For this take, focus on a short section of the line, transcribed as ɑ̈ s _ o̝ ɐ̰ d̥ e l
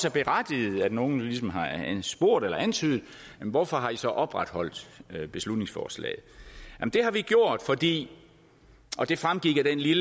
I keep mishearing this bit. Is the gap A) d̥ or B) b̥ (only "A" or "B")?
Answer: B